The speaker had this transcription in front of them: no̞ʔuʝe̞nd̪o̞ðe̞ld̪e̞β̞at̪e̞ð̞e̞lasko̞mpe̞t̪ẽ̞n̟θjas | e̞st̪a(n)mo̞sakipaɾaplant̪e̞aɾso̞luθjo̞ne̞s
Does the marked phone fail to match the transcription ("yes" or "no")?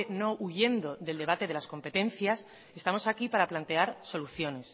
yes